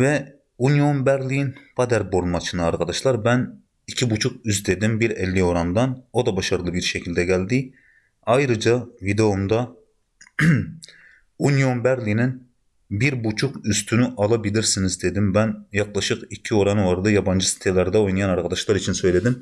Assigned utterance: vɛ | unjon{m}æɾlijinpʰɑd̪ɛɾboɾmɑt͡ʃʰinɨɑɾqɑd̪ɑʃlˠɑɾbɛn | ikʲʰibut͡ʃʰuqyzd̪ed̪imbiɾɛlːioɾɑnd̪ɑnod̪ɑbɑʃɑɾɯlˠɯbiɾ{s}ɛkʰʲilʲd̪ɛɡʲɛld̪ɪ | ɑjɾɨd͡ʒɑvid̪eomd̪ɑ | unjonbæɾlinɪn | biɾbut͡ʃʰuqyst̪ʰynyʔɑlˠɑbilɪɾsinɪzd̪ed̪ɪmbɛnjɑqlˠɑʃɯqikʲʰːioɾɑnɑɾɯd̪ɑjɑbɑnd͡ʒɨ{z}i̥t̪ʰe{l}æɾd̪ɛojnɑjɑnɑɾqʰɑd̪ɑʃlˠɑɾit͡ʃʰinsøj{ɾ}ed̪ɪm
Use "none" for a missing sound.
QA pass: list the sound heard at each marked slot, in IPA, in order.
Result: b, ʃ, s, l, l

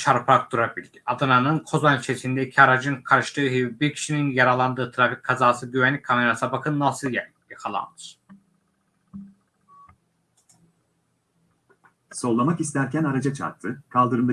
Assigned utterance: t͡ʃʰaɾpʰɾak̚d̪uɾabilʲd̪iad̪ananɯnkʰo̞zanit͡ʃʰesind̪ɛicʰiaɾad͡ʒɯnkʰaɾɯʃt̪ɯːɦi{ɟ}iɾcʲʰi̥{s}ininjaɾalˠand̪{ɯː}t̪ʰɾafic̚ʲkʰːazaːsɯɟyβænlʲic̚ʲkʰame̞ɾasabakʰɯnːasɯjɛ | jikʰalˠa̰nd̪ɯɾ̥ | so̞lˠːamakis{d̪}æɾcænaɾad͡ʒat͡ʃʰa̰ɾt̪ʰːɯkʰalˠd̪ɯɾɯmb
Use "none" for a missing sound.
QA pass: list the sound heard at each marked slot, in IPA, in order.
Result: b, ʃ, ɯː, t̪

